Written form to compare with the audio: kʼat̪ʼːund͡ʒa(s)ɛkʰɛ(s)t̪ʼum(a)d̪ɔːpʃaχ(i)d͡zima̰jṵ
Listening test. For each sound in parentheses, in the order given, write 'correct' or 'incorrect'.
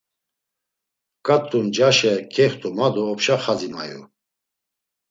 incorrect, incorrect, correct, incorrect

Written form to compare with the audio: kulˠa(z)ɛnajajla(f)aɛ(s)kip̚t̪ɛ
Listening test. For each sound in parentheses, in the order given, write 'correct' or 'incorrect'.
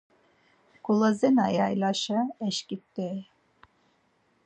correct, incorrect, incorrect

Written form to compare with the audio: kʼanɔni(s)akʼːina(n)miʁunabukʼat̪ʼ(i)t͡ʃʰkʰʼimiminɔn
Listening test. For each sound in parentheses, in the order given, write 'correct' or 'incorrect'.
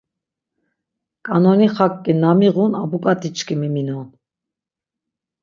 incorrect, incorrect, correct

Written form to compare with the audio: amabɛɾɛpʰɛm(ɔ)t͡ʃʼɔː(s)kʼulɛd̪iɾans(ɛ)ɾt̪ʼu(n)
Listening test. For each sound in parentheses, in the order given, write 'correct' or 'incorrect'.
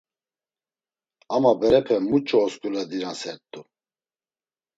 incorrect, correct, correct, incorrect

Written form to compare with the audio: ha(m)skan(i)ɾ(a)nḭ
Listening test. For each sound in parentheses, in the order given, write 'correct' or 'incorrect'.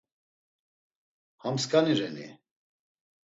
correct, correct, incorrect

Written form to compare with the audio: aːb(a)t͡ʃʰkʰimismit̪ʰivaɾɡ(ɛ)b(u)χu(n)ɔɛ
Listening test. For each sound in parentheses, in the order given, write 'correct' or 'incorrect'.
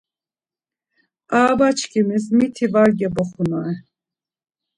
correct, correct, incorrect, correct

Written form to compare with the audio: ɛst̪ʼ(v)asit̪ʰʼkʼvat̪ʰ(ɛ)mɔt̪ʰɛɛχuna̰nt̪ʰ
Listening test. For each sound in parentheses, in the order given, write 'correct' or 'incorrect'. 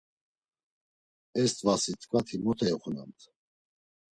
correct, incorrect

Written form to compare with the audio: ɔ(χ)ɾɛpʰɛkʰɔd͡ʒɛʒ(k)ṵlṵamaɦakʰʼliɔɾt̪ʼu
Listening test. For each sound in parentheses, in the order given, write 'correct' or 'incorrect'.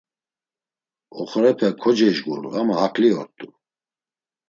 correct, incorrect

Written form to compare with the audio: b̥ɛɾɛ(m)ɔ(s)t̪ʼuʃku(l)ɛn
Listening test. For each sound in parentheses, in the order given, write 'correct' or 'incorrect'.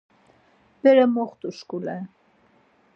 correct, incorrect, correct

